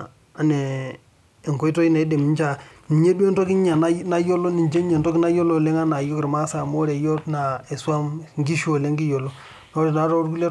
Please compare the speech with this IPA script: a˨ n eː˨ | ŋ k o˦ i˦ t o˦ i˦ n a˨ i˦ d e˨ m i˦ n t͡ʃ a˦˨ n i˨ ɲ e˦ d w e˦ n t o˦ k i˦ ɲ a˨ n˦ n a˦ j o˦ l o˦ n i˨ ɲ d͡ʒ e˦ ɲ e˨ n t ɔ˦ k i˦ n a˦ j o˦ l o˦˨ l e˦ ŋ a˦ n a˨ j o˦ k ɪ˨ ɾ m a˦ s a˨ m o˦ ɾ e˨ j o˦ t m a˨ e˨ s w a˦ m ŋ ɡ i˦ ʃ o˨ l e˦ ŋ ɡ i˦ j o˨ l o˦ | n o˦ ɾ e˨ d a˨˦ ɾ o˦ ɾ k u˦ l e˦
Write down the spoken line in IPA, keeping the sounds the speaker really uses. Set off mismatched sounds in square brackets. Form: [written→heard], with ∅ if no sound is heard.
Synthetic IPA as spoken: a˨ n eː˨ | ŋ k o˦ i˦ t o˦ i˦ n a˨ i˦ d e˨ m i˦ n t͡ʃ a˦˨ n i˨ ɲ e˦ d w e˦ n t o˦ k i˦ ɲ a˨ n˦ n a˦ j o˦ l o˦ n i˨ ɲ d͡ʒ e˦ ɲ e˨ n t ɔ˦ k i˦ n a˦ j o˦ l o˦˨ l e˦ ŋ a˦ n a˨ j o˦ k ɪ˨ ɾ m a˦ s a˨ m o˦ ɾ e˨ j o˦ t [m→n] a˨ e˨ s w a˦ m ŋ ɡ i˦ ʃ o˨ l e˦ ŋ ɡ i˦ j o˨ l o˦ | n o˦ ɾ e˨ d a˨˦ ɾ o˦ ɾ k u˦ l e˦